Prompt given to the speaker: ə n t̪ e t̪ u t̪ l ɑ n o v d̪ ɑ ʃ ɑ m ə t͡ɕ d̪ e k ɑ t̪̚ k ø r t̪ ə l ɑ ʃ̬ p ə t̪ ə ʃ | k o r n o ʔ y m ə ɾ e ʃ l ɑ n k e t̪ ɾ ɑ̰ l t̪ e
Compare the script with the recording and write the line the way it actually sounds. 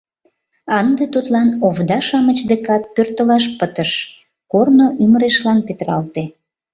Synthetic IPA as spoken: ɑ n d̪ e t̪ u t̪ l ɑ n o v d̪ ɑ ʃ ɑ m ə t͡ɕ d̪ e k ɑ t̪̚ p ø r t̪ ə l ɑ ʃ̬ p ə t̪ ə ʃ | k o r n o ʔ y m ə ɾ e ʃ l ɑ n p e t̪ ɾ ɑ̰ l t̪ e

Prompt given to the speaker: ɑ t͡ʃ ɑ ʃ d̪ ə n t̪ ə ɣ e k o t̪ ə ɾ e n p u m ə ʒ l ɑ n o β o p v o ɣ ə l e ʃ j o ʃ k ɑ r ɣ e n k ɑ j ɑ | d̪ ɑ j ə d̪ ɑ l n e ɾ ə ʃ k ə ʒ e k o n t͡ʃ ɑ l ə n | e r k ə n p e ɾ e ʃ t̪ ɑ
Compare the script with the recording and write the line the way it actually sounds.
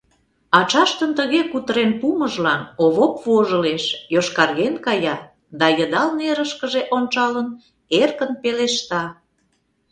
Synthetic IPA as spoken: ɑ t͡ʃ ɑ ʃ t̪ ə n t̪ ə ɣ e k u t̪ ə ɾ e n p u m ə ʒ l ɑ n o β o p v o ʒ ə l e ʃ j o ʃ k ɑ r ɣ e n k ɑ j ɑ | d̪ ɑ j ə d̪ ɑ l n e ɾ ə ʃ k ə ʒ e ʔ o n t͡ʃ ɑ l ə n | e r k ə n p e l e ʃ t̪ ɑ

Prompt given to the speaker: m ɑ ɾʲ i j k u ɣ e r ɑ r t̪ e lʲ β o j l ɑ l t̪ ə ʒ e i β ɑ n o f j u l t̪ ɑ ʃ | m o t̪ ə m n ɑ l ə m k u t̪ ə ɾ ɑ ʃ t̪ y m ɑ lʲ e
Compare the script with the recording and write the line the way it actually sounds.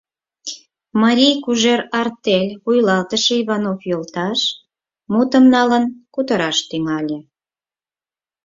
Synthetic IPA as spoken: m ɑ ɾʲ i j k u ʒ e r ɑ r t̪ e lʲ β u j l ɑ l t̪ ə ʃ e i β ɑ n o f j o l t̪ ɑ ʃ | m u t̪ ə m n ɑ l ə n k u t̪ ə ɾ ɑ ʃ t̪ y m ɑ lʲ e

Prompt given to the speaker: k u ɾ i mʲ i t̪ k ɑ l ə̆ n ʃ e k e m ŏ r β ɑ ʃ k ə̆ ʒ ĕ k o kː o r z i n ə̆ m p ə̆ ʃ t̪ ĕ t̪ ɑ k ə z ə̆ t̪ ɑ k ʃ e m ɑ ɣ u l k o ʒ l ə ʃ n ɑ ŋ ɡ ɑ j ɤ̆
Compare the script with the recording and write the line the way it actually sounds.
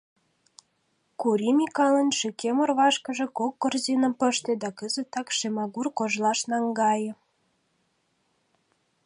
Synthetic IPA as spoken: k u ɾ i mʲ i k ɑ l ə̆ n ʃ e k e m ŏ r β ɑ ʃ k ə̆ ʒ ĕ k o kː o r z i n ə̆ m p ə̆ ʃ t̪ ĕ d̪ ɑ k ə z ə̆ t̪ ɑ k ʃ e m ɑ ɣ u r k o ʒ l ɑ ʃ n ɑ ŋ ɡ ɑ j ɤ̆

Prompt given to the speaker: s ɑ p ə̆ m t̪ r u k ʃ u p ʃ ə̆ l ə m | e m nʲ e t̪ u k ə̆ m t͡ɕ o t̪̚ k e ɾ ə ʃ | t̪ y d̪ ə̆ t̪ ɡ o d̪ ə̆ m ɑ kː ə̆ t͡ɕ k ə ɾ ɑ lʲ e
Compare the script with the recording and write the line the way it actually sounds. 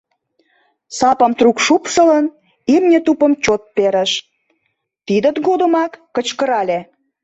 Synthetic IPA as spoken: s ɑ p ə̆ m t̪ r u k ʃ u p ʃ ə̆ l ə n | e m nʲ e t̪ u p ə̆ m t͡ɕ o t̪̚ p e ɾ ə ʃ | t̪ i d̪ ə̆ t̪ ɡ o d̪ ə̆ m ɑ kː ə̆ t͡ɕ k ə ɾ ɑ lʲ e

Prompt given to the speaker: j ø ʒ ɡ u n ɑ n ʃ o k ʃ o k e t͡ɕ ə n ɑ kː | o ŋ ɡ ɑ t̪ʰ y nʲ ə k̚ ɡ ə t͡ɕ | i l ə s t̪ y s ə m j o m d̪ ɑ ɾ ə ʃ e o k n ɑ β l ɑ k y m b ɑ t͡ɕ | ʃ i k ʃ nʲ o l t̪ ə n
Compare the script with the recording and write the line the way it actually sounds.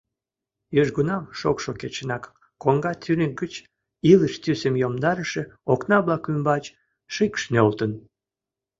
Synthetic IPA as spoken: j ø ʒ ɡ u n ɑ m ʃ o k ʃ o k e t͡ɕ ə n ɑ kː | o ŋ ɡ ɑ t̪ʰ y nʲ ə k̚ ɡ ə t͡ɕ | i l ə ʃ t̪ y s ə m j o m d̪ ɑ ɾ ə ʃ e o k n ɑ β l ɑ k y m b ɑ t͡ɕ | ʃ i k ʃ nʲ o l t̪ ə n

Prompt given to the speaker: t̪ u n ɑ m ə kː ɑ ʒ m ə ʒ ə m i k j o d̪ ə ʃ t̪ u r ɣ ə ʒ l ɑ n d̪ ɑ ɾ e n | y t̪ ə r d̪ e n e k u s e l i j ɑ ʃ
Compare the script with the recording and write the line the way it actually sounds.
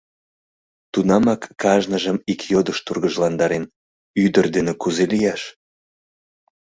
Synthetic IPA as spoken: t̪ u n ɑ m ɑ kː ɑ ʒ n ə ʒ ə m i k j o d̪ ə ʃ t̪ u r ɣ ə ʒ l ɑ n d̪ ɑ ɾ e n | y d̪ ə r d̪ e n e k u z e l i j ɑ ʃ

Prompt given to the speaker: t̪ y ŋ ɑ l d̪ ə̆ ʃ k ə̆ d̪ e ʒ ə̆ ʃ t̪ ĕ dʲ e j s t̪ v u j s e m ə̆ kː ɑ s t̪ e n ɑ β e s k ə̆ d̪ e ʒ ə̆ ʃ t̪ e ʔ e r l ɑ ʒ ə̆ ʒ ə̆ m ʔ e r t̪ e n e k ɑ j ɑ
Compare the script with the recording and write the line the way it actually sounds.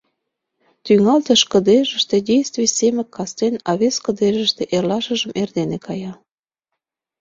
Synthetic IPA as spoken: t̪ y ŋ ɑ l t̪ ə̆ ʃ k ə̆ d̪ e ʒ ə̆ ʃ t̪ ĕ dʲ e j s t̪ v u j s e m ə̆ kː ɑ s t̪ e n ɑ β e s k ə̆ d̪ e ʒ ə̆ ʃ t̪ e ʔ e r l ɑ ʃ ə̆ ʒ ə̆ m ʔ e r d̪ e n e k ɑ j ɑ

